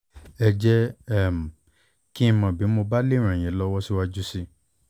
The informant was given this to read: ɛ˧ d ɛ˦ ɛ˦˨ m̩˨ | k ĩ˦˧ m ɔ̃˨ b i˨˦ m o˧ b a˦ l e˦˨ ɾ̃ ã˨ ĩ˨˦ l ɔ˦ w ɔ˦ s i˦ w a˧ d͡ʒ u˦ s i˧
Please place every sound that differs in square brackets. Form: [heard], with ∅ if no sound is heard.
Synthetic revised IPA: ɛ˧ [d͡ʒ] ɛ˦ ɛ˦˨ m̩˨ | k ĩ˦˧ m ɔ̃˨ b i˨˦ m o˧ b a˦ l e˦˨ ɾ̃ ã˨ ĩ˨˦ l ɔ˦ w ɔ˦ s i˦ w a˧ d͡ʒ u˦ s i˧

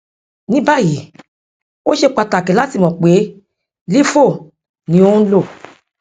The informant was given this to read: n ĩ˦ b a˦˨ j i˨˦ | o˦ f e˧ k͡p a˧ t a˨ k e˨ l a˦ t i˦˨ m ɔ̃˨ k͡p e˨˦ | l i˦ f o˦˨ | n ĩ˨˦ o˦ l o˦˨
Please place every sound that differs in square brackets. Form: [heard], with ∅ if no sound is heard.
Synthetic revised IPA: n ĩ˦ b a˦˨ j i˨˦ | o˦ [ʃ] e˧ k͡p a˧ t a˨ k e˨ l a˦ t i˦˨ m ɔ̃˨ k͡p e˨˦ | l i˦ f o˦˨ | n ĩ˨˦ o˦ l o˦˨

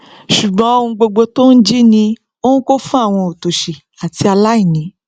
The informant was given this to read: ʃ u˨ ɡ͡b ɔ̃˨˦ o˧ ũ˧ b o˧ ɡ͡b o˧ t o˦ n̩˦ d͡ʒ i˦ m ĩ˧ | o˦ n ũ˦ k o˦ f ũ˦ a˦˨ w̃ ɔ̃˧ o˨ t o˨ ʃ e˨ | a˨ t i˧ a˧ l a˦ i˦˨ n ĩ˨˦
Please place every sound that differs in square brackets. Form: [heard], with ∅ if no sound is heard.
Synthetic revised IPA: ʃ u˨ ɡ͡b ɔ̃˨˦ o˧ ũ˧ [ɡ͡b] o˧ ɡ͡b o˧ t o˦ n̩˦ d͡ʒ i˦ [n] ĩ˧ | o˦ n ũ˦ k o˦ f ũ˦ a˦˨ w̃ ɔ̃˧ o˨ t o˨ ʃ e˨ | a˨ t i˧ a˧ l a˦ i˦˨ n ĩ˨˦

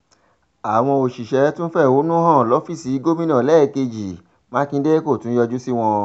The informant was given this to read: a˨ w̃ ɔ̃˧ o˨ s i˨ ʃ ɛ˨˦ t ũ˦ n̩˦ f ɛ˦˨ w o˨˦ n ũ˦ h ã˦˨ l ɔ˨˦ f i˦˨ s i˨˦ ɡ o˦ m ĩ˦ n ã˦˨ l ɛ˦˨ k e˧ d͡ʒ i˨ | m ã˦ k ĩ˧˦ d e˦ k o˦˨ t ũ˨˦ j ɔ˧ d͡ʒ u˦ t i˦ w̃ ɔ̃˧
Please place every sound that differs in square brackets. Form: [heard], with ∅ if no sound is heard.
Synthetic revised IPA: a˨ w̃ ɔ̃˧ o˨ [ʃ] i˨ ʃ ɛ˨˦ t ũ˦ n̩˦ f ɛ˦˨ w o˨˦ n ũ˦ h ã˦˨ l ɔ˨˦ f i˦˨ s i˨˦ ɡ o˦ m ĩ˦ n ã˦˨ l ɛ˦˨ k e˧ d͡ʒ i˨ | m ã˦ k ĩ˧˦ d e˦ k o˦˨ t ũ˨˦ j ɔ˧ d͡ʒ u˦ [s] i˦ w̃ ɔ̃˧

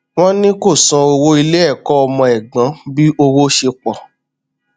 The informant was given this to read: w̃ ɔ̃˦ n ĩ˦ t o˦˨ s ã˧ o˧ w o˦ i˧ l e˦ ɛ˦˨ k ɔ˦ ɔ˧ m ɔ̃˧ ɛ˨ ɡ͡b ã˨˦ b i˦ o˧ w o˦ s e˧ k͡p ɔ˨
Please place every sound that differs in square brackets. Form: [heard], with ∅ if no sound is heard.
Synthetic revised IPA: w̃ ɔ̃˦ n ĩ˦ [k] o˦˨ s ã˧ o˧ w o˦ i˧ l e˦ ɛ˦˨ k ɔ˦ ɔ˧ m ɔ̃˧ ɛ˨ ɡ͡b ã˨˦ b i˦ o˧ w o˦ [ʃ] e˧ k͡p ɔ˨

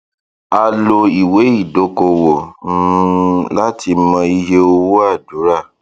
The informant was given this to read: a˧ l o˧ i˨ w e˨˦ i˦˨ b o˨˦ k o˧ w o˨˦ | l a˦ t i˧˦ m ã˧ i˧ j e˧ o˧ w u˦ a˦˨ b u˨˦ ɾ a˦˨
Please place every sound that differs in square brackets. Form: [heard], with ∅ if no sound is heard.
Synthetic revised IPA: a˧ l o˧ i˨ w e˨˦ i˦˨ [d] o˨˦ k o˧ w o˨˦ | l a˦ t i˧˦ m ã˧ i˧ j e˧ o˧ w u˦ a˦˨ [d] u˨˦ ɾ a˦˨

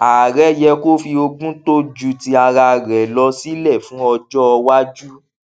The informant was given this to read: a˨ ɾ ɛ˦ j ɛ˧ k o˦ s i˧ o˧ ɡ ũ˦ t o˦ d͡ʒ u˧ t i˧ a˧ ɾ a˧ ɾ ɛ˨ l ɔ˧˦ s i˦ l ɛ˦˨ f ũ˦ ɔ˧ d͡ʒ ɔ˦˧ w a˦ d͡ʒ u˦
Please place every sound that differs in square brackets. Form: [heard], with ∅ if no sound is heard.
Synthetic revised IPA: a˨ ɾ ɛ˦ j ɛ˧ k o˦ [f] i˧ o˧ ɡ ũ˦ t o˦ d͡ʒ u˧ t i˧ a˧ ɾ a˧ ɾ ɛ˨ l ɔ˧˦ s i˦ l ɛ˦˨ f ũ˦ ɔ˧ d͡ʒ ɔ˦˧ w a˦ d͡ʒ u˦

